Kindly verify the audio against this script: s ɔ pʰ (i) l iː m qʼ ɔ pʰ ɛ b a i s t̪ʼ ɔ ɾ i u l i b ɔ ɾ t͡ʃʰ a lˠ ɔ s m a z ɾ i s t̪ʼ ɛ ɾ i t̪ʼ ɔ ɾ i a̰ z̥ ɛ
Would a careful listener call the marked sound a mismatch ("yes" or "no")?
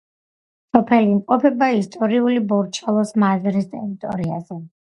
yes